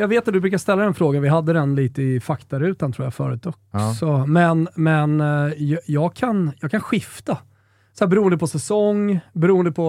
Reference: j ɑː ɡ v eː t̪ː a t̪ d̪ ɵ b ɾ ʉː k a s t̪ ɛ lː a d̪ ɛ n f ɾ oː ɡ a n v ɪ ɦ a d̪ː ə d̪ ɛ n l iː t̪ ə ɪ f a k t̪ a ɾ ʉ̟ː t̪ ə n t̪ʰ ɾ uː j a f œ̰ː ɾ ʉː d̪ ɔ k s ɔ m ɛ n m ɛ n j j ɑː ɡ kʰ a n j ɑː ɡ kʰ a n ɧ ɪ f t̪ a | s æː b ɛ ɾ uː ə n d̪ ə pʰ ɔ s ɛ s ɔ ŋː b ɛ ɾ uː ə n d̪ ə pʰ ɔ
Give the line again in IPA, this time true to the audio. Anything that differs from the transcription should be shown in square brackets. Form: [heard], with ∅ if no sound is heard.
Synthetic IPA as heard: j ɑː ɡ v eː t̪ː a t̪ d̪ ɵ b ɾ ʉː k a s t̪ ɛ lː a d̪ ɛ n f ɾ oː ɡ a n v ɪ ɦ a d̪ː ə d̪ ɛ n l iː t̪ ə ɪ f a k t̪ a ɾ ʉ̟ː t̪ [a] n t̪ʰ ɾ uː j a f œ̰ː ɾ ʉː [t̪] ɔ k s ɔ m ɛ n m ɛ n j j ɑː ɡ kʰ a n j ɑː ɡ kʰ a n ɧ ɪ f t̪ a | s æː b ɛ ɾ uː ə n d̪ ə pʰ ɔ s ɛ s ɔ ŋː b ɛ ɾ uː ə n d̪ ə pʰ ɔ